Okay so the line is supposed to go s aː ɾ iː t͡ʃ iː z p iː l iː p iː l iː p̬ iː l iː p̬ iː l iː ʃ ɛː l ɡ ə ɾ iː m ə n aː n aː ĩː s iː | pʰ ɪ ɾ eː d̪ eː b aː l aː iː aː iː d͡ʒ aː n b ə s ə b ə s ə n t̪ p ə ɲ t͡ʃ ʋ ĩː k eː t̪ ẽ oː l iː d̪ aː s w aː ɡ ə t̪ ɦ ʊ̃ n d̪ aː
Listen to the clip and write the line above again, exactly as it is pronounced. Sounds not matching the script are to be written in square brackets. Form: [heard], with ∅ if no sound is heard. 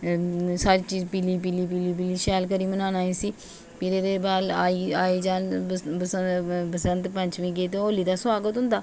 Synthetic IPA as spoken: s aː ɾ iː t͡ʃ iː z p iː l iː p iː l iː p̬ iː l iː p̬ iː l iː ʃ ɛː l [k] ə ɾ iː m ə n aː n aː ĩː s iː | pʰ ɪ ɾ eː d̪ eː b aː l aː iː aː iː d͡ʒ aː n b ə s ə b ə s ə n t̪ p ə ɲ t͡ʃ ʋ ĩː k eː t̪ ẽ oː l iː d̪ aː s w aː ɡ ə t̪ ɦ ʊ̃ n d̪ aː